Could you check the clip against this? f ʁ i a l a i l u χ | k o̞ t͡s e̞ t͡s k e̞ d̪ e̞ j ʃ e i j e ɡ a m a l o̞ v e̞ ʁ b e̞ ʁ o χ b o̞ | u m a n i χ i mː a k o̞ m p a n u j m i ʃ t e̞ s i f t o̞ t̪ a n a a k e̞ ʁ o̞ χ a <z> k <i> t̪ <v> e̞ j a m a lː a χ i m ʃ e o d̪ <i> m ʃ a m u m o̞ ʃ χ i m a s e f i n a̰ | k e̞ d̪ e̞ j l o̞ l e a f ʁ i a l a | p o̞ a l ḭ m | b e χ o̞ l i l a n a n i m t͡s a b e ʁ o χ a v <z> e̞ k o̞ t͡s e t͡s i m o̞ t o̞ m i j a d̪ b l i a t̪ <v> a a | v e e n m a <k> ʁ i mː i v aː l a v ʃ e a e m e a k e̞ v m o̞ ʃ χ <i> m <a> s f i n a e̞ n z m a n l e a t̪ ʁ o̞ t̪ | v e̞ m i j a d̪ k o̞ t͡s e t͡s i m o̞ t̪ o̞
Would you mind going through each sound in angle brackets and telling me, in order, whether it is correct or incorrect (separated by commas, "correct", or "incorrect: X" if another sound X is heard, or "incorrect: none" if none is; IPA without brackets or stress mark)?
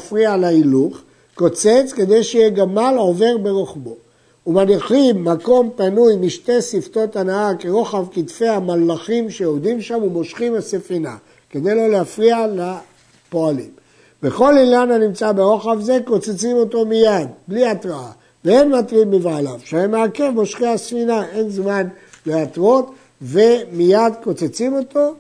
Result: incorrect: v, correct, incorrect: f, correct, correct, incorrect: ʁ, incorrect: t, correct, correct